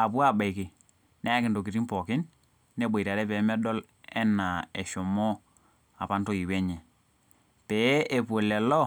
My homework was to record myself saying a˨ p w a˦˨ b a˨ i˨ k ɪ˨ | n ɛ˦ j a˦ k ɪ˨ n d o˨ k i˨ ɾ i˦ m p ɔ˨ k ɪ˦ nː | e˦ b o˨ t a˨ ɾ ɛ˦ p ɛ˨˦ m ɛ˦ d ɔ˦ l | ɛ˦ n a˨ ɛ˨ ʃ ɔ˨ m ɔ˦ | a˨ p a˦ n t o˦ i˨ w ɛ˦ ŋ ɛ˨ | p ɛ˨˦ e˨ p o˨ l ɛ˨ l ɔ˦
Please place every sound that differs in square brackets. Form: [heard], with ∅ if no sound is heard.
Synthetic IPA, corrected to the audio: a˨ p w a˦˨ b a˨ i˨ k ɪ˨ | n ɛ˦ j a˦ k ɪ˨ n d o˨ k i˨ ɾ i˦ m p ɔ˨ k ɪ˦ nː | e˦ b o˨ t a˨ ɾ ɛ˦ p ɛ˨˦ m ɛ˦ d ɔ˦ l | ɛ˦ n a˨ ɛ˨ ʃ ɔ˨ m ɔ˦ | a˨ p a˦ n t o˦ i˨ w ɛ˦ [ɲ] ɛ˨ | p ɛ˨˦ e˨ p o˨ l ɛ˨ l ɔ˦